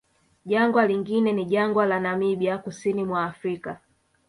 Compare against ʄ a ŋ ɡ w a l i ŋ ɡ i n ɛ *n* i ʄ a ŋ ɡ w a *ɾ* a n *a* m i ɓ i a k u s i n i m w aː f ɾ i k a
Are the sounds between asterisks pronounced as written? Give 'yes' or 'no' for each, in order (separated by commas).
yes, no, yes